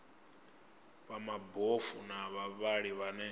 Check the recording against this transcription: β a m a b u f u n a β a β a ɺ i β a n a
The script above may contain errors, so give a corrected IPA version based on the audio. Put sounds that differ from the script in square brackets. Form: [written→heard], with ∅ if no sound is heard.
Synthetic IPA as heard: β a m a b [u→o] f u n a β a β a ɺ i β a n [a→ɛ]